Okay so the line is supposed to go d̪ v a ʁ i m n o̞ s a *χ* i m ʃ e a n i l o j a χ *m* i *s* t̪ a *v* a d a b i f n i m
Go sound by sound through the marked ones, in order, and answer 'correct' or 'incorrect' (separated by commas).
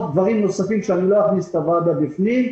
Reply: incorrect, incorrect, correct, correct